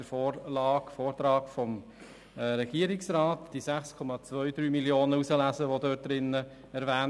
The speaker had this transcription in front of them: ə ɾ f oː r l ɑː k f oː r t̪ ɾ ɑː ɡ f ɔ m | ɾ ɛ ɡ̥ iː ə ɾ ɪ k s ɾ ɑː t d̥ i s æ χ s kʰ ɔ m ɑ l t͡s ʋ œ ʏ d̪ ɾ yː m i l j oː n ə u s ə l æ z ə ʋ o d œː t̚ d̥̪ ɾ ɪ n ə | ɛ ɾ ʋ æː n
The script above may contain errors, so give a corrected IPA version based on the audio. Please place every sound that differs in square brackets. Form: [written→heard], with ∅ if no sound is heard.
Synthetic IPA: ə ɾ f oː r l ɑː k f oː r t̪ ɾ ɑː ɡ f ɔ m | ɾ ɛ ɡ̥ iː ə ɾ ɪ k s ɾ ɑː t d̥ i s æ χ s kʰ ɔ m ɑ [l→∅] t͡s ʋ œ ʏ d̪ ɾ yː m i l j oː n ə u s ə l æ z ə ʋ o d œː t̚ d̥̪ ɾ ɪ n ə | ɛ ɾ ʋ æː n